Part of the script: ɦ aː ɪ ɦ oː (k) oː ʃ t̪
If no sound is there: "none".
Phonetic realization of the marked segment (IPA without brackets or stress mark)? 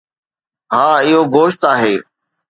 ɡ